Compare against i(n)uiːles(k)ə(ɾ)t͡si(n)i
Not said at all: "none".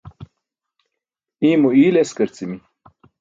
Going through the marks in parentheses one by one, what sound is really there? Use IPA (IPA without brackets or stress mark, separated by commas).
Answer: m, k, ɾ, m